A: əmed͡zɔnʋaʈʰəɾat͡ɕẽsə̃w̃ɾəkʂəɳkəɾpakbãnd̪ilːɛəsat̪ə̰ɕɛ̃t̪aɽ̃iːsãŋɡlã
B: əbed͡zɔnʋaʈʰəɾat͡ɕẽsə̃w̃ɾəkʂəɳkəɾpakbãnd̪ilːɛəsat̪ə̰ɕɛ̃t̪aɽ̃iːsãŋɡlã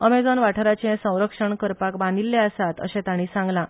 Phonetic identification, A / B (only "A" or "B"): A